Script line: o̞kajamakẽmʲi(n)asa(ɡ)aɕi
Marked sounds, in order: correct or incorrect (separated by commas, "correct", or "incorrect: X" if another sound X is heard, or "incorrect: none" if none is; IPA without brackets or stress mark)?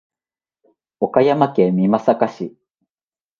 incorrect: m, incorrect: k